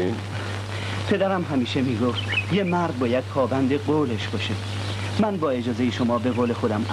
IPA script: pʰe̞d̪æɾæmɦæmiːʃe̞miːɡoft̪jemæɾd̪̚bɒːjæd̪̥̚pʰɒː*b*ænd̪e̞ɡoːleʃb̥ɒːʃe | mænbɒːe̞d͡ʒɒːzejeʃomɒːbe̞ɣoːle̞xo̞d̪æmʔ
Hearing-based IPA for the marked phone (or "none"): b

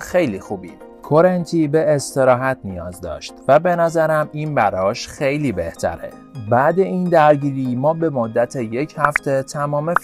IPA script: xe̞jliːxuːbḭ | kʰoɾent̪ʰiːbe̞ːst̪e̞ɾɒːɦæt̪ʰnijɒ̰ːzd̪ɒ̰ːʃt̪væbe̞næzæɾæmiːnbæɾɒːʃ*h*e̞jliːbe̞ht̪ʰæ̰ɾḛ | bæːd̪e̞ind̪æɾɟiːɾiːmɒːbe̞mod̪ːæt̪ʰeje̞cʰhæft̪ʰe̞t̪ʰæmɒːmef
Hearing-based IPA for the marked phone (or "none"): x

